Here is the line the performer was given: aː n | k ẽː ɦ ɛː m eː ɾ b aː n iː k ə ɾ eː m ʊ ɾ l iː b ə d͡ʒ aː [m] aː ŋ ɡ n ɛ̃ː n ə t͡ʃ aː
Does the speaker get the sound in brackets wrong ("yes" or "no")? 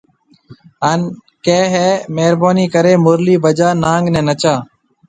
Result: yes